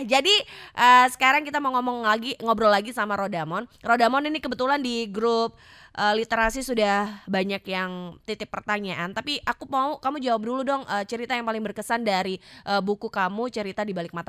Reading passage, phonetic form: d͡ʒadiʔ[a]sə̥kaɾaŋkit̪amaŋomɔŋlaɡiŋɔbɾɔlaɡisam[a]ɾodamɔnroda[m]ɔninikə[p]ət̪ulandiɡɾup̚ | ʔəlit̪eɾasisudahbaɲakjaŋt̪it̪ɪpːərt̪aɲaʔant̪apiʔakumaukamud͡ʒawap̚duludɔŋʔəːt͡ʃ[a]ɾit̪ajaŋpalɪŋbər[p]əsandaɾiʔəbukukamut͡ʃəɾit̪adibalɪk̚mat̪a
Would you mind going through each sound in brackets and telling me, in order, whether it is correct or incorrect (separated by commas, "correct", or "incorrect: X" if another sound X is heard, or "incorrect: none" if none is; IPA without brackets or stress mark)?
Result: incorrect: ə, correct, correct, incorrect: b, incorrect: ə, incorrect: k